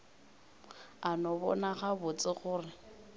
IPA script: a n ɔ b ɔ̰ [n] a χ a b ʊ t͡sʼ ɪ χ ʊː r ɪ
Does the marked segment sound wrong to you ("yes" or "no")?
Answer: no